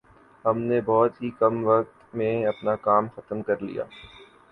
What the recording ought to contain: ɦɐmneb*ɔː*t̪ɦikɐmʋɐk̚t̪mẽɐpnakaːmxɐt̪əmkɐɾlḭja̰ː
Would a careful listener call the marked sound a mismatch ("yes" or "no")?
no